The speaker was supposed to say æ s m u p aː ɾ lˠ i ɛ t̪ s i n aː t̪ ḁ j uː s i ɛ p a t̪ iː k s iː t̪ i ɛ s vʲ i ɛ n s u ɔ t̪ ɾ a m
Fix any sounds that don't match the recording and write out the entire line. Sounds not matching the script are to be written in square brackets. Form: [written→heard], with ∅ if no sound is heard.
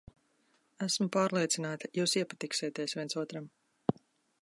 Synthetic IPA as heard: æ s m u p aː ɾ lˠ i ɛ t̪ s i n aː t̪ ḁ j uː s i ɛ p a t̪ [iː→i] k s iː t̪ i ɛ s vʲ i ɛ n s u ɔ t̪ ɾ a m